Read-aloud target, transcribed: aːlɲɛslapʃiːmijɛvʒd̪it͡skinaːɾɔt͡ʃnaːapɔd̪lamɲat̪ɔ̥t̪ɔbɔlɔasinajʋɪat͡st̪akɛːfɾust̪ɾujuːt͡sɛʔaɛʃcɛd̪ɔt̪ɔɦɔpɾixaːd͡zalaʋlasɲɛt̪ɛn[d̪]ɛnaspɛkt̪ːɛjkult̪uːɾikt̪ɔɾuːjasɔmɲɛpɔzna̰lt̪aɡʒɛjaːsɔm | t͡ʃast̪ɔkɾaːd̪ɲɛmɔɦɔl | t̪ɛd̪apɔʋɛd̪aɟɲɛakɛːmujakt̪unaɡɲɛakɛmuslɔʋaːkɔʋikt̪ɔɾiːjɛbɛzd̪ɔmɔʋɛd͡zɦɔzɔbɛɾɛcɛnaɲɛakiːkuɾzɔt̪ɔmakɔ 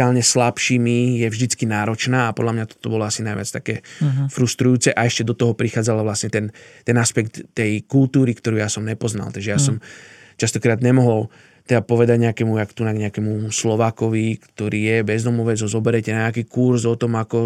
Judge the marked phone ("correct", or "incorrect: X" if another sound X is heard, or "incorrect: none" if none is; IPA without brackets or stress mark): incorrect: t̪